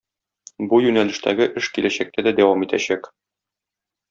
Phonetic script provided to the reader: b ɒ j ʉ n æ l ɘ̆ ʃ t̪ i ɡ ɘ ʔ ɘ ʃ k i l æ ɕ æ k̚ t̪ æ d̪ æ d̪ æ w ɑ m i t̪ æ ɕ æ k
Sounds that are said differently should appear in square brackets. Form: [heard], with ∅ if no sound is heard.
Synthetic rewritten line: b [u] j ʉ n æ l ɘ̆ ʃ t̪ [æ] ɡ ɘ ʔ ɘ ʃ k i l æ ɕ æ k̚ t̪ æ d̪ æ d̪ æ w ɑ m i t̪ æ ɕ æ k